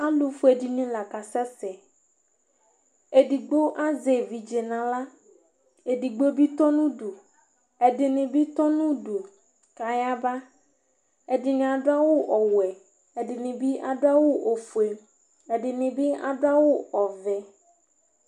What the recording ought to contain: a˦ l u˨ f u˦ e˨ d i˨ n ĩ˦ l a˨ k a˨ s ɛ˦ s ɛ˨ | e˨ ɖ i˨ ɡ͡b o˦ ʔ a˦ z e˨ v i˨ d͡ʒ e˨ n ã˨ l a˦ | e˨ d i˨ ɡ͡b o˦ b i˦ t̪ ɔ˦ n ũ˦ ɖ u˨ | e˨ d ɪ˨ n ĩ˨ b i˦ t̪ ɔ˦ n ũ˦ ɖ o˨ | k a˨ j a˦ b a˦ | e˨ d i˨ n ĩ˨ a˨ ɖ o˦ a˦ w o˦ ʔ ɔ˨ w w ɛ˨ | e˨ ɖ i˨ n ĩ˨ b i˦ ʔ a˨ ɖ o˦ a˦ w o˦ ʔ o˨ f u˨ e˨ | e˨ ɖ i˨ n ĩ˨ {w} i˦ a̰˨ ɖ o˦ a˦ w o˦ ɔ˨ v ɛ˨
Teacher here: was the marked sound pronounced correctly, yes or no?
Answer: no